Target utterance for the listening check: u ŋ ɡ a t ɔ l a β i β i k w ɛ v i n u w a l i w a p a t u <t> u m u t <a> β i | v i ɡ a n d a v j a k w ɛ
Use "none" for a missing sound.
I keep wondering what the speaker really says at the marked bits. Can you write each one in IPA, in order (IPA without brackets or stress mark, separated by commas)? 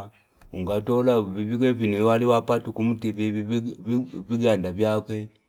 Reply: k, i